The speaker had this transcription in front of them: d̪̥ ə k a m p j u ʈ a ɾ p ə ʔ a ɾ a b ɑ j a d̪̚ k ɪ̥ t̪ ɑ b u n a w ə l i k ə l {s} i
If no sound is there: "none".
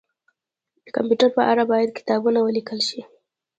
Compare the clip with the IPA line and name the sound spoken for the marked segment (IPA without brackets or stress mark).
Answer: ʃ